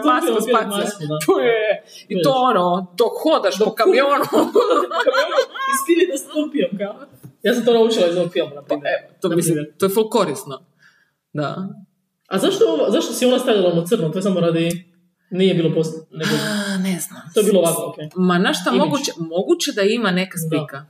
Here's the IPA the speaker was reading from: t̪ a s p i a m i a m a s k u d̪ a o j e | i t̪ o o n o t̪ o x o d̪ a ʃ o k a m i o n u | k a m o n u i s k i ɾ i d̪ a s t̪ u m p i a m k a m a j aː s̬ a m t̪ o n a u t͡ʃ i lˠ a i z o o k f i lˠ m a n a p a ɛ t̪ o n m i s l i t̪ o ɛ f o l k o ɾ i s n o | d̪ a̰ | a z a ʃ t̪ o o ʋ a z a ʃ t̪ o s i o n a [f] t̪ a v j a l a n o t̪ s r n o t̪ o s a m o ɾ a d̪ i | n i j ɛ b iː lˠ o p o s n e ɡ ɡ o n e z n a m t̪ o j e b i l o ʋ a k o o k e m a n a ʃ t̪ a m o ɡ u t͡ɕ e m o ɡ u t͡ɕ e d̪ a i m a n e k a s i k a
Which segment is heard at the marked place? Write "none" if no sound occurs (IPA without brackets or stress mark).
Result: s